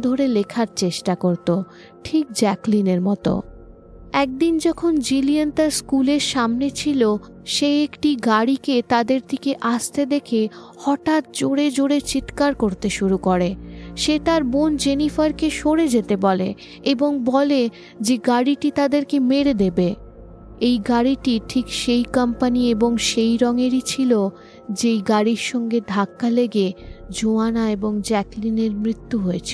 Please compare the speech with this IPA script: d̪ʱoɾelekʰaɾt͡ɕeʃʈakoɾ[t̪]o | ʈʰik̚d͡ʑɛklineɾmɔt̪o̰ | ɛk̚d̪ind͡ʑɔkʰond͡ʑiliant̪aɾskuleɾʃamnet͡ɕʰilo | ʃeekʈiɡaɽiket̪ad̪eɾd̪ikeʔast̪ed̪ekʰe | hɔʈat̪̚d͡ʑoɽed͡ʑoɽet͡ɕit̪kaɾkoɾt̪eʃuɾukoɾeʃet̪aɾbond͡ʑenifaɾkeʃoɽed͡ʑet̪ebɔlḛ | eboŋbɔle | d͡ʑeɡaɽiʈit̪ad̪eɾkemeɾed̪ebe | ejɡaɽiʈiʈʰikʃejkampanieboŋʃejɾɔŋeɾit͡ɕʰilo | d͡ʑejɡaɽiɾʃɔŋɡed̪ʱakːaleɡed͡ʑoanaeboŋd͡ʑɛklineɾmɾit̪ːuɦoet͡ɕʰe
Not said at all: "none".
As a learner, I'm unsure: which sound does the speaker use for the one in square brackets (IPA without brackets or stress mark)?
t̪